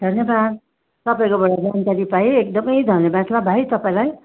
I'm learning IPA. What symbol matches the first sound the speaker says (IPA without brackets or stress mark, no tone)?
d̪ʱ